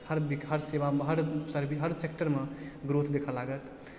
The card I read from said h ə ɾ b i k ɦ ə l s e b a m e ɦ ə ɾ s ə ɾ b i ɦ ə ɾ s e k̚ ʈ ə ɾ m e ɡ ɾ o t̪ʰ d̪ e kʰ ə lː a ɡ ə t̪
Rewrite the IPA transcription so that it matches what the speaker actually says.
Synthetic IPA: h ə ɾ b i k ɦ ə ɾ s e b a m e ɦ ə ɾ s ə ɾ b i ɦ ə ɾ s e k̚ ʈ ə ɾ m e ɡ ɾ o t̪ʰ d̪ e kʰ ə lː a ɡ ə t̪